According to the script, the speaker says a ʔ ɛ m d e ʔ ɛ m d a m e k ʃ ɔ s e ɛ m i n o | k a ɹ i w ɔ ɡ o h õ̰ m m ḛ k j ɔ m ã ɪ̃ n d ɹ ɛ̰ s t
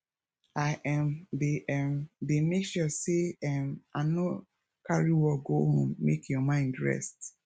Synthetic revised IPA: a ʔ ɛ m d e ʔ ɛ m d e m e k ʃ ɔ s e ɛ m a n o | k a ɹ i w ɔ ɡ o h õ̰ m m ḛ k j ɔ m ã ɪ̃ n d ɹ ɛ̰ s t